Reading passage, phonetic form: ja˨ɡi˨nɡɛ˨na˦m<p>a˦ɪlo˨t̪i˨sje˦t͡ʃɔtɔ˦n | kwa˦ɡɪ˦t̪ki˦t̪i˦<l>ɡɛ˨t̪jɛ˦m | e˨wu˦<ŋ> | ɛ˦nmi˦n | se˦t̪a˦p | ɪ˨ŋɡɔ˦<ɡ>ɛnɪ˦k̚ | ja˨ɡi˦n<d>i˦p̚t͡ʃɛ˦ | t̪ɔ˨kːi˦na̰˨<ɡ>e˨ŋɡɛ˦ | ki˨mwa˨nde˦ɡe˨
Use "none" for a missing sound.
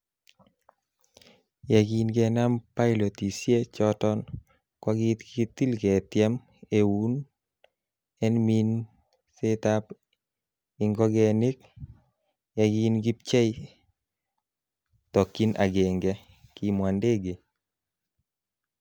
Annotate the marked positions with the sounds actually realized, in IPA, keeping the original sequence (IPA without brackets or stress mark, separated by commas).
p, l, n, ɡ, ɡ, ɡ